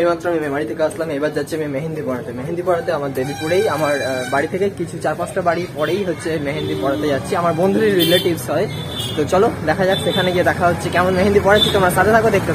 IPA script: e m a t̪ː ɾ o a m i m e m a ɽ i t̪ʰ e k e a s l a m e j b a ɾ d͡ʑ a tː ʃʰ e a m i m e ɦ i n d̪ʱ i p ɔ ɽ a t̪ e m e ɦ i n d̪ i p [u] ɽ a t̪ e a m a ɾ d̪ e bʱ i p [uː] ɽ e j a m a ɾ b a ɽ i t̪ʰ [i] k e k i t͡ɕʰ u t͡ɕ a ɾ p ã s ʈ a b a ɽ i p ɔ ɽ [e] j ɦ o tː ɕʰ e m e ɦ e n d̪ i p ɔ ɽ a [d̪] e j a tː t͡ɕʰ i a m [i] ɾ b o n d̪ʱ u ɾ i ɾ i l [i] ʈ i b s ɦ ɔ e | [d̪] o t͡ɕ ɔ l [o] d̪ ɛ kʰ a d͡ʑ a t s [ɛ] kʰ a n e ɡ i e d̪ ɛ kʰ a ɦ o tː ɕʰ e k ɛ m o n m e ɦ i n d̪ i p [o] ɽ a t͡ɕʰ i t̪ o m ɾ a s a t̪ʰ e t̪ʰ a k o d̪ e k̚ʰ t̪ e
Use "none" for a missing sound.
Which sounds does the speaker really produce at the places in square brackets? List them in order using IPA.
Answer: ɔ, u, e, e, t̪, a, e, t̪, o, e, ɔ

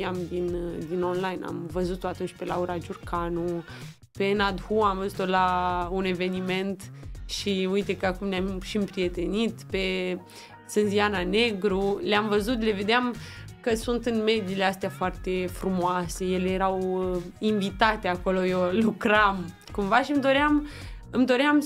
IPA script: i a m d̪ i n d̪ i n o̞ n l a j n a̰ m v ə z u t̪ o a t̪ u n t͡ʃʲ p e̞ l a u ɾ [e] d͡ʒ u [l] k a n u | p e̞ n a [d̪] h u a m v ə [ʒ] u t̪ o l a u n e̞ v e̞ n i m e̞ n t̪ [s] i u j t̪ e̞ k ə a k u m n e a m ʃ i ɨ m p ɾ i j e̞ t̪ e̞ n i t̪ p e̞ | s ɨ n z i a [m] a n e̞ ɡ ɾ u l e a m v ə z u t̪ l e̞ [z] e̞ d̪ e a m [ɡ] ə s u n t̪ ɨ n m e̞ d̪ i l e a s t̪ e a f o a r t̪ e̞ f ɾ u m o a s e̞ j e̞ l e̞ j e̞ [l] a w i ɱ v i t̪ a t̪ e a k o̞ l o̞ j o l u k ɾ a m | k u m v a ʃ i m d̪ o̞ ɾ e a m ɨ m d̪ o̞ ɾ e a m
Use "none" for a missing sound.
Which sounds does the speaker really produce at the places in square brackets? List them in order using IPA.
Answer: a, r, d̪, z, ʃ, n, v, k, ɾ

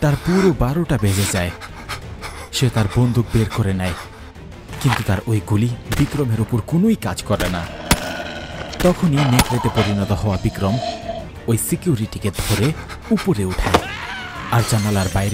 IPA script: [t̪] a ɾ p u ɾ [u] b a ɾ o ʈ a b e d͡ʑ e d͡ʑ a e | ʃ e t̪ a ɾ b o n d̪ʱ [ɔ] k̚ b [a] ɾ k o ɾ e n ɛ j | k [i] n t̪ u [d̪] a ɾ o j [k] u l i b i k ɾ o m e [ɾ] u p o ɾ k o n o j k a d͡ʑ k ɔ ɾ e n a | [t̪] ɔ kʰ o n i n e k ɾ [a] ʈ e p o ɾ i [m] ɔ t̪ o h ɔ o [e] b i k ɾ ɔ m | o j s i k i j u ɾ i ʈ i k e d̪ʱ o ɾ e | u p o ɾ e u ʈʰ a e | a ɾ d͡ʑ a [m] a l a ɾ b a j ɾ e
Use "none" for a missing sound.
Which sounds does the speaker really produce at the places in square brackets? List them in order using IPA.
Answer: t̪, o, u, e, i, t̪, ɡ, ɾ, t̪, e, n, a, n

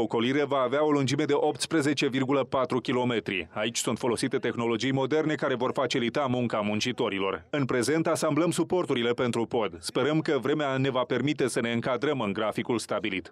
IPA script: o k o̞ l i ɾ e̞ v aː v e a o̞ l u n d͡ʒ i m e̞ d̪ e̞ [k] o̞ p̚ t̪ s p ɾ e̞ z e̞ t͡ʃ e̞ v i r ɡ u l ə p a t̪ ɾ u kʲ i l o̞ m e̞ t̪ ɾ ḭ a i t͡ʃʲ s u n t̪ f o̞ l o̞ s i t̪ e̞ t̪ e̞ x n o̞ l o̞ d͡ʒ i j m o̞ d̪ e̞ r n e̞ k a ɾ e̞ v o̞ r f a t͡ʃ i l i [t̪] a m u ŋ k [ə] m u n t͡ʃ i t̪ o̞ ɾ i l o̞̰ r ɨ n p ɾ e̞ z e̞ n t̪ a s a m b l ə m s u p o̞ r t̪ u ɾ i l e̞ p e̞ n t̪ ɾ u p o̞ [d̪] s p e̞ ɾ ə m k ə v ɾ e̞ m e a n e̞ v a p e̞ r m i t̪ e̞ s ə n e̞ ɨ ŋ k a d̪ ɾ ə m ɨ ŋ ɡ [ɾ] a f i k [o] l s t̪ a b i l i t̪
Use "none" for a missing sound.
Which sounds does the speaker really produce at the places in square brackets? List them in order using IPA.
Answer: ʔ, t̪, a, d̪, ɾ, u

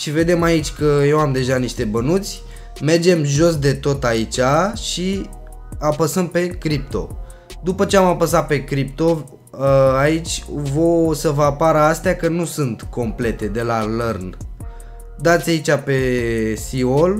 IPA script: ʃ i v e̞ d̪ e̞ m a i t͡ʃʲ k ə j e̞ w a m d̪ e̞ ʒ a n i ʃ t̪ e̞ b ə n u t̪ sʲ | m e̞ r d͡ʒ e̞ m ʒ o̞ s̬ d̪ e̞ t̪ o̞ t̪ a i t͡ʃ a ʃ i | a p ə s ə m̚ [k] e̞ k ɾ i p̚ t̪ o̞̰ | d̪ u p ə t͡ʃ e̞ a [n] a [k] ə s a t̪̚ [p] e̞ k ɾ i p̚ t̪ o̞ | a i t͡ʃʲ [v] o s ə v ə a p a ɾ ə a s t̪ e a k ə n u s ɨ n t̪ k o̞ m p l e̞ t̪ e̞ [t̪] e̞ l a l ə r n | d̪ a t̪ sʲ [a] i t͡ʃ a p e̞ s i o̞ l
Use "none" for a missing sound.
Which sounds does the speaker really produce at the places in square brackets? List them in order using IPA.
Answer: p, m, p, p, v, d̪, a

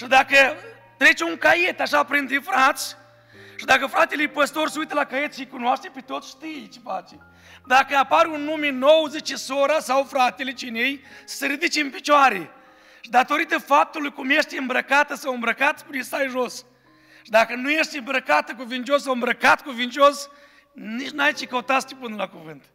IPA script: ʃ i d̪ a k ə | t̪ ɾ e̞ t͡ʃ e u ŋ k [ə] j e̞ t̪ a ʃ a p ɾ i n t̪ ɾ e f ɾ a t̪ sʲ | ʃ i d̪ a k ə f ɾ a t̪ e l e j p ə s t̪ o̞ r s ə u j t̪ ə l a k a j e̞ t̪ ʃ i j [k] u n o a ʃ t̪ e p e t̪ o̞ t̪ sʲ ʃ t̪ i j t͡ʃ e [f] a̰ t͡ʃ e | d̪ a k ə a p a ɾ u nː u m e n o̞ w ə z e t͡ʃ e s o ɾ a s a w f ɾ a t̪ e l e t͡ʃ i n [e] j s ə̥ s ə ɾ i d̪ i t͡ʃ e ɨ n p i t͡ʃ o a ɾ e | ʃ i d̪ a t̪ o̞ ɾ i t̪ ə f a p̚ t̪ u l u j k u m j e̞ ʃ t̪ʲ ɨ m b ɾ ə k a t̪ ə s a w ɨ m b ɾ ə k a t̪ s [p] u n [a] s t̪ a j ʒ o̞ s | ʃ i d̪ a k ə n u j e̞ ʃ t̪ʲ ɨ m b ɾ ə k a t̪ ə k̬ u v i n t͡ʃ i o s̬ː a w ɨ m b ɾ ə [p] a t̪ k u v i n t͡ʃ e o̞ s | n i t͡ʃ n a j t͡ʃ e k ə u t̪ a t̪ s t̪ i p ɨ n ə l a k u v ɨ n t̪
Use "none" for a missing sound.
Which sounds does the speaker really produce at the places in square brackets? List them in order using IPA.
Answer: a, k, f, e, p, e, k

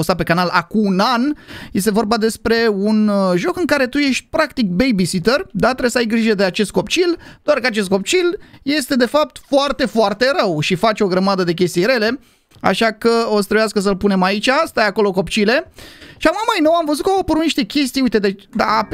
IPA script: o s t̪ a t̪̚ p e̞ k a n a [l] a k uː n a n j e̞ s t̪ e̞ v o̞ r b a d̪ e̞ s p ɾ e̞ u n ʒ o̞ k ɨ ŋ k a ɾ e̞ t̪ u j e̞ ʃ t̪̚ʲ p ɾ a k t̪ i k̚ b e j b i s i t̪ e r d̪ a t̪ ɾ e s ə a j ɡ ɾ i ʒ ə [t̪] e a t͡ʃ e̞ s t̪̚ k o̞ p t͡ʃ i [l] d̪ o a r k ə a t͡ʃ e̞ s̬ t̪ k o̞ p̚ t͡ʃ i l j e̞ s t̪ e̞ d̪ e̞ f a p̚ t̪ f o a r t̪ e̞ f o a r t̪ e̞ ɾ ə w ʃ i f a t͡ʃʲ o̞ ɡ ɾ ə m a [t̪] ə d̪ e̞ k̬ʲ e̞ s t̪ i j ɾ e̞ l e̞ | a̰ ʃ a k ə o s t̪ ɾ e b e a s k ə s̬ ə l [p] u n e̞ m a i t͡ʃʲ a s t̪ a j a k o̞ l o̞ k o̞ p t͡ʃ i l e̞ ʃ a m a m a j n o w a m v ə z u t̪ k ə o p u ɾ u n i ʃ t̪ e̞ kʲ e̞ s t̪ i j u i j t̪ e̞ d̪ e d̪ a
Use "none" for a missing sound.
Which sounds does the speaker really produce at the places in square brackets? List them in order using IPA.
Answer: l, d̪, l, d̪, p

